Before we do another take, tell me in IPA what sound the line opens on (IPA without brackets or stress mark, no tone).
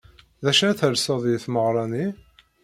ð